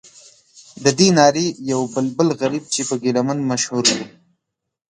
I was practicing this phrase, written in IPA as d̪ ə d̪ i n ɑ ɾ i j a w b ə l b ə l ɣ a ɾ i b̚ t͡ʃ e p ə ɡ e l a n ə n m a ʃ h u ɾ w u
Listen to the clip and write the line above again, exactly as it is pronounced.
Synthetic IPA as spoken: d̪ ə d̪ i n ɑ ɾ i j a w b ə l b ə l ɣ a ɾ i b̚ t͡ʃ e p ə ɡ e l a m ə n m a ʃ h u ɾ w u